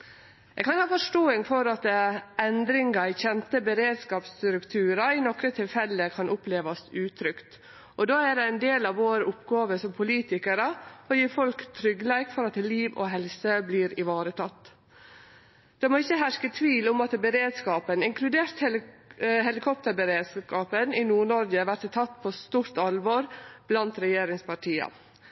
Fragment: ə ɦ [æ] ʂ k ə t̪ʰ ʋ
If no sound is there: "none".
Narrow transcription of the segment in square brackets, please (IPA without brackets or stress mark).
æ